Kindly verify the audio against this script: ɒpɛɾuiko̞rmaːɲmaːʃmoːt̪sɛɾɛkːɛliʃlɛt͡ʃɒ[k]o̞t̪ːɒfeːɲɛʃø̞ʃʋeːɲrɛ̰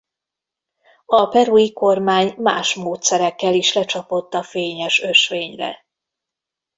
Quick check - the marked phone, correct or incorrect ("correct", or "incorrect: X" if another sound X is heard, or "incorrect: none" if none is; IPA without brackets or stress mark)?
incorrect: p